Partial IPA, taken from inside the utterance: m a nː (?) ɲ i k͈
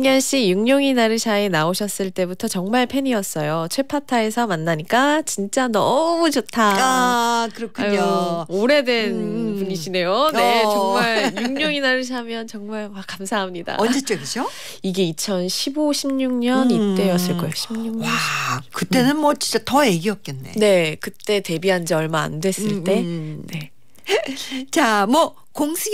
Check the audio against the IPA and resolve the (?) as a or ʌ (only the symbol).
a